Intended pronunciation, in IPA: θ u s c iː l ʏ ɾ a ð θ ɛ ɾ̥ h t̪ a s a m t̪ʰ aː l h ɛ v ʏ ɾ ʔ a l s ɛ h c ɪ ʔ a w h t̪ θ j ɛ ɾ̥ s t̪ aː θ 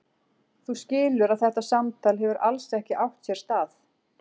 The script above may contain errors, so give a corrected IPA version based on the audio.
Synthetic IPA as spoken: θ u s c ɪː l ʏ ɾ a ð θ ɛ h t̪ a s a m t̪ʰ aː l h ɛ v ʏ ɾ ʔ a l s ɛ h c ɪ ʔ a w h t̪ s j ɛ ɾ̥ s t̪ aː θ